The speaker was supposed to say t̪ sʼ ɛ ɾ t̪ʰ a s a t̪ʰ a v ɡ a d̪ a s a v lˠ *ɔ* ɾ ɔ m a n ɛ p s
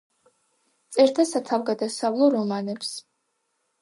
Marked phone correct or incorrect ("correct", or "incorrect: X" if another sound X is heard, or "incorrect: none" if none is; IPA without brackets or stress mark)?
correct